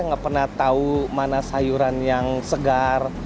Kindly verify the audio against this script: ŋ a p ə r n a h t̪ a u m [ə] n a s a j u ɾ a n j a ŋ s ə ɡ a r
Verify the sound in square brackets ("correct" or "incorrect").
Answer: incorrect